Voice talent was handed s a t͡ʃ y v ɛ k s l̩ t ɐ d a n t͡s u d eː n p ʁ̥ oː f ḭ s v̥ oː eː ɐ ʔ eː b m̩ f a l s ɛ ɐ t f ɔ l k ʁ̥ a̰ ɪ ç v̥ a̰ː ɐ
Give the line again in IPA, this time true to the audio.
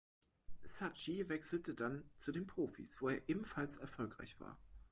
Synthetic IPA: s a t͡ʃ i v ɛ k s l̩ t ə d a n t͡s u d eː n p ʁ̥ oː f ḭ s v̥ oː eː ɐ ʔ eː b m̩ f a l s ɛ ɐ f ɔ l k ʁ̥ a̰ ɪ ç v̥ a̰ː ɐ